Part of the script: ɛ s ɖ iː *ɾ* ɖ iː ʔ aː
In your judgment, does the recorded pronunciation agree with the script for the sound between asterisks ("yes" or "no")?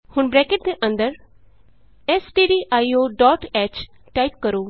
no